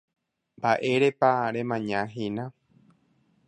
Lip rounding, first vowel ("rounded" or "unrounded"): unrounded